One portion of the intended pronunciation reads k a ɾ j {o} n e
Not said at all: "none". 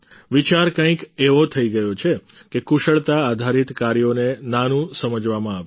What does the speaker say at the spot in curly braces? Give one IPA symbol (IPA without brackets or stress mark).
o